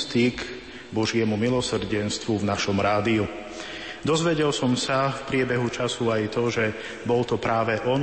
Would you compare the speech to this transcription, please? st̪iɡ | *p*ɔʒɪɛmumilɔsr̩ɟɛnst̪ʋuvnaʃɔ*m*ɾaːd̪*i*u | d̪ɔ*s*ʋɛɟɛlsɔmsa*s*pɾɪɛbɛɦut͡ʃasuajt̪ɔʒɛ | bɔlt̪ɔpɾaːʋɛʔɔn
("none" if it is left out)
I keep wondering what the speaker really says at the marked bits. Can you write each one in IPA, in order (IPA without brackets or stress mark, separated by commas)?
b, m, i, z, f